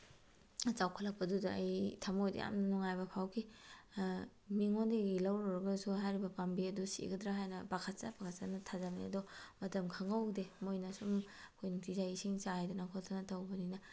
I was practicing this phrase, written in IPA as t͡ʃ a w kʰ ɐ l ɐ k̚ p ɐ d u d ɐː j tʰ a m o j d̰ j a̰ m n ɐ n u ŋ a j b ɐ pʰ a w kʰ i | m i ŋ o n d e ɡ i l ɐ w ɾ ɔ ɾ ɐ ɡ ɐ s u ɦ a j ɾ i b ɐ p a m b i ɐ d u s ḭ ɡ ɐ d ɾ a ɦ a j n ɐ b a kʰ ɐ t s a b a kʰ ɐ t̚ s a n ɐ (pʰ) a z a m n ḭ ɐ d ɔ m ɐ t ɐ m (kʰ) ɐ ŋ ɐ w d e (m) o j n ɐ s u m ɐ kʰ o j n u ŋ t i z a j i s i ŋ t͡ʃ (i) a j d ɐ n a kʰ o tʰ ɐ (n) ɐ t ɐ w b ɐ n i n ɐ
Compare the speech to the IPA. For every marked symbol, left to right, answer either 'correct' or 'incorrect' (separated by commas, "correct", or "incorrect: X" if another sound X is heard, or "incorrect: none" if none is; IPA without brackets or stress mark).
incorrect: tʰ, correct, correct, incorrect: a, correct